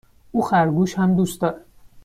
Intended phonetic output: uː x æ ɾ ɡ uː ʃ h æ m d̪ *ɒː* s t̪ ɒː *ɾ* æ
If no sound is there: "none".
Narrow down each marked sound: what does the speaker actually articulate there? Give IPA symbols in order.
uː, ɾ

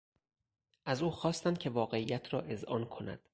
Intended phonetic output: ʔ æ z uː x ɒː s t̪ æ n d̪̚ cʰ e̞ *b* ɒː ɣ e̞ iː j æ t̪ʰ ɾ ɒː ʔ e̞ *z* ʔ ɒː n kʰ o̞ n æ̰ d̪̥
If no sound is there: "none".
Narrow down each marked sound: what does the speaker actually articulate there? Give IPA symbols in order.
v, z

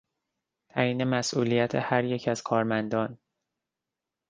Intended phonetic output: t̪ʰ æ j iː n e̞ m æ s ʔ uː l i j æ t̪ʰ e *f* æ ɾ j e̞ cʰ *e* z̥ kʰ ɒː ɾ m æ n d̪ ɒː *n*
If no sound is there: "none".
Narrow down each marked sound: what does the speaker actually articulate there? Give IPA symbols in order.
h, æ, n

